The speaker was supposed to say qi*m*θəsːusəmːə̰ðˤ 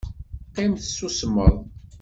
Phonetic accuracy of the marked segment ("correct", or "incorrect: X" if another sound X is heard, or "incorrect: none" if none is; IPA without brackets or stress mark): correct